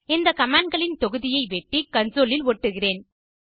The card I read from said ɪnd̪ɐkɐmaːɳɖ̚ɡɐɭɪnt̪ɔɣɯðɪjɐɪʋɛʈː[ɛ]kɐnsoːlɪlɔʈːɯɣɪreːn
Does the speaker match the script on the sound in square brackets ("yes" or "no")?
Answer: no